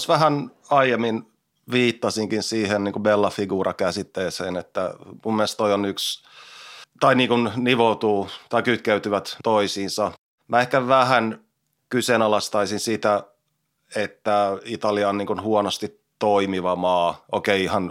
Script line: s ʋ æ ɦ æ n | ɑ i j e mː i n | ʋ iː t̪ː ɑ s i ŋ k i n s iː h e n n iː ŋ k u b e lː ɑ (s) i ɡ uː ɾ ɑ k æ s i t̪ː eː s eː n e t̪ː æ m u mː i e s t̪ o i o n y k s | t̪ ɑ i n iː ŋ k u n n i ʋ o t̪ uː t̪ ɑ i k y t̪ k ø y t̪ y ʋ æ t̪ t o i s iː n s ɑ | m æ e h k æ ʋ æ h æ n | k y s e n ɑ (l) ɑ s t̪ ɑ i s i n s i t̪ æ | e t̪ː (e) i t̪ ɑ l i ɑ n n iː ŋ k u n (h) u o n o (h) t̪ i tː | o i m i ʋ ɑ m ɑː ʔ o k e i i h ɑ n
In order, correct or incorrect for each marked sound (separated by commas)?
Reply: incorrect, correct, incorrect, correct, incorrect